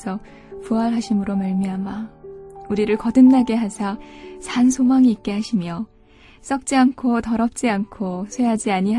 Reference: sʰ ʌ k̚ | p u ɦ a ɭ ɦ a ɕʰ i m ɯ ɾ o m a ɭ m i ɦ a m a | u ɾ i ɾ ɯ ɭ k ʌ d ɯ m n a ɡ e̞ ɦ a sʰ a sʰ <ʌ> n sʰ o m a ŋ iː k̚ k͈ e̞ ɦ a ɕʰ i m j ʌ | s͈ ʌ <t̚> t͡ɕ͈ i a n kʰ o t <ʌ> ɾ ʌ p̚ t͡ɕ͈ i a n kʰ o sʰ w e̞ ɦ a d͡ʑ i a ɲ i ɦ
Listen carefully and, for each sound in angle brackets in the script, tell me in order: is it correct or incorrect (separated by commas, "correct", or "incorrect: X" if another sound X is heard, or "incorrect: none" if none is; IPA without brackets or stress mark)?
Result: incorrect: a, incorrect: k̚, correct